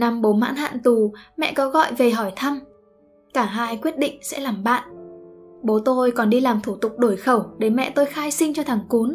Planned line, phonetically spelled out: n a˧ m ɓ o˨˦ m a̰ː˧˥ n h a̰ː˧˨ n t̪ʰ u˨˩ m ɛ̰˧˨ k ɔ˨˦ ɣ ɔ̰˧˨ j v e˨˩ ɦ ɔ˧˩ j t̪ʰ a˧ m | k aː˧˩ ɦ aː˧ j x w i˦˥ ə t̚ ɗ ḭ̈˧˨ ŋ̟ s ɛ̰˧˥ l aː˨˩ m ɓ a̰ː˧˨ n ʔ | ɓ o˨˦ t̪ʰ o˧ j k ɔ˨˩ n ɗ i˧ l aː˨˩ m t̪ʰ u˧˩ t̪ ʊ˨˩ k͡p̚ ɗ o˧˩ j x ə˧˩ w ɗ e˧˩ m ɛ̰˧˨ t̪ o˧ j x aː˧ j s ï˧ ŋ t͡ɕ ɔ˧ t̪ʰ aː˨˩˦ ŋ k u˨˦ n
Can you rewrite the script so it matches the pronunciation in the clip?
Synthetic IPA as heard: n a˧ m ɓ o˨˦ m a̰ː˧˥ n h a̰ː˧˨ n t̪ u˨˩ m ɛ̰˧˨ k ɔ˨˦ ɣ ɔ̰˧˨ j v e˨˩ ɦ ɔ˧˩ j t̪ʰ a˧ m | k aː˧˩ ɦ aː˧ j k w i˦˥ ə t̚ ɗ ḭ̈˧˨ ŋ̟ s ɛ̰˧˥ l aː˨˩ m ɓ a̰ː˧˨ n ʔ | ɓ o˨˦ t̪ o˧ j k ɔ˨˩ n ɗ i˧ l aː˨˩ m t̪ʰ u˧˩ t̪ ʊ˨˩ k͡p̚ ɗ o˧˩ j x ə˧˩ w ɗ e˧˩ m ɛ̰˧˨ t̪ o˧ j x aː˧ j s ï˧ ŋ t͡ɕ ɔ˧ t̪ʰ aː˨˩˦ ŋ k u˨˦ n